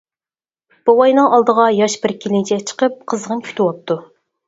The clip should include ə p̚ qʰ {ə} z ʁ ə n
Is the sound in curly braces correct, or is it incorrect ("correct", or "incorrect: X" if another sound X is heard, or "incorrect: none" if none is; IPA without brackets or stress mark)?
correct